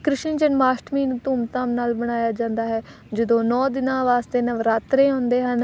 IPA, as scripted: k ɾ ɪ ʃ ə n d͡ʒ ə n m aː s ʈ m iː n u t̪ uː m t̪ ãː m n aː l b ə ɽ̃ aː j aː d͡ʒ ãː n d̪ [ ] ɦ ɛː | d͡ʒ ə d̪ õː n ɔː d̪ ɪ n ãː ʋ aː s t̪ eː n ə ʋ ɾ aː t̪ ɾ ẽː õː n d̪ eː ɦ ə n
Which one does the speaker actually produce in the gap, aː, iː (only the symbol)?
aː